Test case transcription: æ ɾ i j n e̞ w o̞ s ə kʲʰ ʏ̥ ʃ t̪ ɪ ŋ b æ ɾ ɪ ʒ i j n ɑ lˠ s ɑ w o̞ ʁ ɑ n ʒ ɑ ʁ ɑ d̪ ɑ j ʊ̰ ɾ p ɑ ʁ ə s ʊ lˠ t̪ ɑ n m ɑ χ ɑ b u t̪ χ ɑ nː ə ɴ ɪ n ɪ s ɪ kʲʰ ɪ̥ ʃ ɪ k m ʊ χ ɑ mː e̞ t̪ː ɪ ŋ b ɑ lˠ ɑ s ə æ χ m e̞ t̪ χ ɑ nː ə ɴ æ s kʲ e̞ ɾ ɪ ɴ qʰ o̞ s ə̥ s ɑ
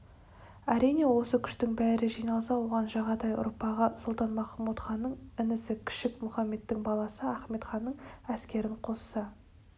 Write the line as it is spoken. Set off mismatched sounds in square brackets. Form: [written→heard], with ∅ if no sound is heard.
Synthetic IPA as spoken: æ ɾ i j n e̞ w o̞ s ə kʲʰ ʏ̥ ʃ t̪ ɪ ŋ b æ ɾ ɪ ʒ i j n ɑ lˠ s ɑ w o̞ ʁ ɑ n ʒ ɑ ʁ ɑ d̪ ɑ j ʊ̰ ɾ p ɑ ʁ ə s ʊ lˠ t̪ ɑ n m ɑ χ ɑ [b→m] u t̪ χ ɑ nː ə ɴ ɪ n ɪ s ɪ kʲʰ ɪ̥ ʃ ɪ k m ʊ χ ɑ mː e̞ t̪ː ɪ ŋ b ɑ lˠ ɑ s ə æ χ m e̞ t̪ χ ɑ nː ə ɴ æ s kʲ e̞ ɾ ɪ ɴ qʰ o̞ s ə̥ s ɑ